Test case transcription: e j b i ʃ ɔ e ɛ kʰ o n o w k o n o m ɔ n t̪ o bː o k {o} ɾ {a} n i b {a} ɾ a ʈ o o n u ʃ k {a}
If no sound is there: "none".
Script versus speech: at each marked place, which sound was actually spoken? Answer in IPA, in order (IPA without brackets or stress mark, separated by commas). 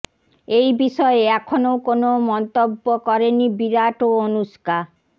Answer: ɔ, e, i, a